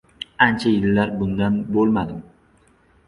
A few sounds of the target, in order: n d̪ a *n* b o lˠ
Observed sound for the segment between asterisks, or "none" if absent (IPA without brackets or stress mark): n